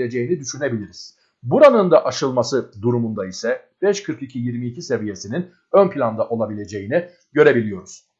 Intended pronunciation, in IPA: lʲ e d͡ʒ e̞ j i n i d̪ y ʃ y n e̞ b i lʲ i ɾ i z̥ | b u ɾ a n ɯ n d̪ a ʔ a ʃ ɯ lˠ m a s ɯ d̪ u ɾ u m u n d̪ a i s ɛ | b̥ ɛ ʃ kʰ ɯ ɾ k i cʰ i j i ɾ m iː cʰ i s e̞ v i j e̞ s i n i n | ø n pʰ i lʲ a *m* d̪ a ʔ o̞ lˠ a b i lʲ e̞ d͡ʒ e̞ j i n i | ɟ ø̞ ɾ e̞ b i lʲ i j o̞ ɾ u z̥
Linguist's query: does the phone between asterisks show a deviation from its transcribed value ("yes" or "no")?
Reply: yes